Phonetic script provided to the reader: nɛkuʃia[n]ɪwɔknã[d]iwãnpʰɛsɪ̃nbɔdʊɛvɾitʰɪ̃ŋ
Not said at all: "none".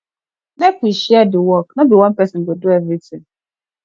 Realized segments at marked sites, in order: d, b

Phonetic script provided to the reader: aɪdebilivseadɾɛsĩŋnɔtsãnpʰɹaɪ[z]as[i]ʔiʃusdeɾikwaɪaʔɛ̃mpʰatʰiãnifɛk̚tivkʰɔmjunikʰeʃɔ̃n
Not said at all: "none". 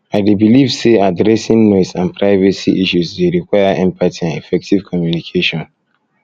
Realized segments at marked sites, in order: v, i

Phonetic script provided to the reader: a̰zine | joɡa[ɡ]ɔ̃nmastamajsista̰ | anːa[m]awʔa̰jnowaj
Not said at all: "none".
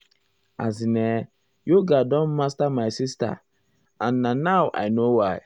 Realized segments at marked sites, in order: d, n

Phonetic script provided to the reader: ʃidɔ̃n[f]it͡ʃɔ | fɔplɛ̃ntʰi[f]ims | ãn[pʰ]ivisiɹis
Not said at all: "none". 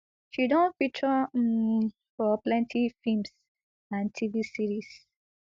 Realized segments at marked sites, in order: f, f, tʰ

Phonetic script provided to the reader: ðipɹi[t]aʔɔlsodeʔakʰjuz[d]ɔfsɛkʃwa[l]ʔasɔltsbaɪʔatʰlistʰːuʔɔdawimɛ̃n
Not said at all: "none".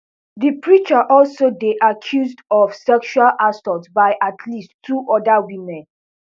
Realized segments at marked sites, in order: t͡ʃ, d, l

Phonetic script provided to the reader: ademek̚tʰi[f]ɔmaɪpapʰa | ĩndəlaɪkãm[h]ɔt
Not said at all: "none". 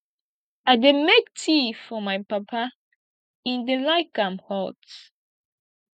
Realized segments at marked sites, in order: f, h

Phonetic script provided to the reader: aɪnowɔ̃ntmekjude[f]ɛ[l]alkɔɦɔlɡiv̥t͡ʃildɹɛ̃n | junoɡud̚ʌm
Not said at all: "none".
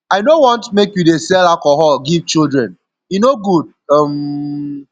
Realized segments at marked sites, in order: s, l

